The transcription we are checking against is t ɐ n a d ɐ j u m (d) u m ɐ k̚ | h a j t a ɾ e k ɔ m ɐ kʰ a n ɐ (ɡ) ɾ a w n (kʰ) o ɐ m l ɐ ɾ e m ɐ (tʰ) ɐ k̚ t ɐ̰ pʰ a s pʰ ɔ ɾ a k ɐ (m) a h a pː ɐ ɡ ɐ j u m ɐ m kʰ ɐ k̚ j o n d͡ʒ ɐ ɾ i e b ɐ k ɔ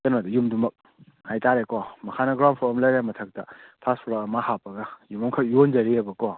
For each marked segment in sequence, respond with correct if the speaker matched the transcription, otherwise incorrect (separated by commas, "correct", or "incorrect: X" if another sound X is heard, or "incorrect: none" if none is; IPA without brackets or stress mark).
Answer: correct, correct, incorrect: pʰ, correct, correct